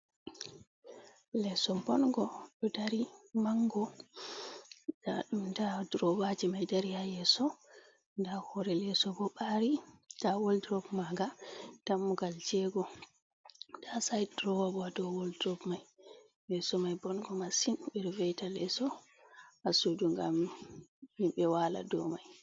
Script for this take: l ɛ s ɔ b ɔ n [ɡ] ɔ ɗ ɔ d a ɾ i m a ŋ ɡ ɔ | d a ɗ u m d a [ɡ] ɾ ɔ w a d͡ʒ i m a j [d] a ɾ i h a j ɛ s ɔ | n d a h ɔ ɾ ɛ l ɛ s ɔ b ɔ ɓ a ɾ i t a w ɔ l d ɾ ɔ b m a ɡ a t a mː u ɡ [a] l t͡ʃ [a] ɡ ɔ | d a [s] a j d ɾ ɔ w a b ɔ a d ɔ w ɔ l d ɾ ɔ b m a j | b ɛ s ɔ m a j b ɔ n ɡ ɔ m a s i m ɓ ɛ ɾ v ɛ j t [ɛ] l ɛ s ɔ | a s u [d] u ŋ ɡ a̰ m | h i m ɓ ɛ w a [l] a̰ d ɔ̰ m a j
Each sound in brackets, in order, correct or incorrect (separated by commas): correct, incorrect, correct, correct, incorrect, correct, incorrect, correct, correct